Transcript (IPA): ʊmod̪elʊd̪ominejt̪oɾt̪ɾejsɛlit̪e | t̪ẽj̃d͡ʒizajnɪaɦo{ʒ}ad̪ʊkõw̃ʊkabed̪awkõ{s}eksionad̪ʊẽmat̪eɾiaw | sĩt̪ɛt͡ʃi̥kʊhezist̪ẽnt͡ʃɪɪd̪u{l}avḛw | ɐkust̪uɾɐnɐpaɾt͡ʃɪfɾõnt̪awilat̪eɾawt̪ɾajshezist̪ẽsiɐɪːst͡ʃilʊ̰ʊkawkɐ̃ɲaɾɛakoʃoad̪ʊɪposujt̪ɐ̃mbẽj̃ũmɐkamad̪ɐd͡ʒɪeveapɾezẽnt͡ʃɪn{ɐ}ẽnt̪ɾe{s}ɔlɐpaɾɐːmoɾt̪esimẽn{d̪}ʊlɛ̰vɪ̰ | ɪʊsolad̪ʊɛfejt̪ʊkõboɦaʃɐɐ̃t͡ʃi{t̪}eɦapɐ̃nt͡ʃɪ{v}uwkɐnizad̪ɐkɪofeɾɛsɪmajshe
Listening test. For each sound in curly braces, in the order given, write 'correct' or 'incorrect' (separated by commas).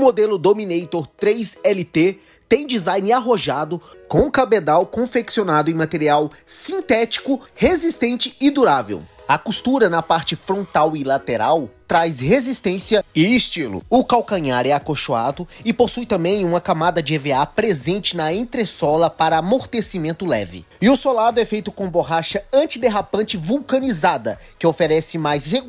correct, incorrect, incorrect, correct, correct, incorrect, incorrect, correct